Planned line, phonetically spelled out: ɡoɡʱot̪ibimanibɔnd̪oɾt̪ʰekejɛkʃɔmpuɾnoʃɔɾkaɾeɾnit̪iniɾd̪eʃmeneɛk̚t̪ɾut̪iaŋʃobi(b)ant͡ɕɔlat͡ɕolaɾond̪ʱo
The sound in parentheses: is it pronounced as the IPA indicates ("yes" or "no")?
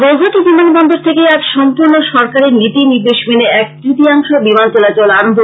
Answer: no